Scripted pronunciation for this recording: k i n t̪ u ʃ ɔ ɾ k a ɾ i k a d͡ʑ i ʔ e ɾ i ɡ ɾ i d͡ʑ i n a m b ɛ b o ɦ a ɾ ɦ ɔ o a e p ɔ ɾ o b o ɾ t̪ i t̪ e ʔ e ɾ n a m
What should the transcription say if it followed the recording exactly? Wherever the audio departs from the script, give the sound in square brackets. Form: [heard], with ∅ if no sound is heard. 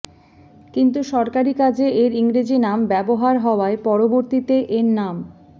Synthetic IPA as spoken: k i n t̪ u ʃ ɔ ɾ k a ɾ i k a d͡ʑ [e] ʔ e ɾ i [ŋ] ɾ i d͡ʑ i n a m b ɛ b o ɦ a ɾ ɦ ɔ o a e p ɔ ɾ o b o ɾ t̪ i t̪ e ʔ e ɾ n a m